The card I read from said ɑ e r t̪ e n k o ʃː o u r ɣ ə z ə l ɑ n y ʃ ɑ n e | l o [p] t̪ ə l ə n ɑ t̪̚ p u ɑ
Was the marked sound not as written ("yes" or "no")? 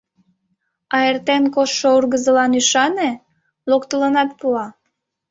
yes